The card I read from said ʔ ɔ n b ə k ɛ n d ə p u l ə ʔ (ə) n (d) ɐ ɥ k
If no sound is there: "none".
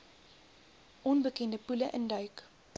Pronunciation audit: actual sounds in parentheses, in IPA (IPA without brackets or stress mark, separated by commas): ə, d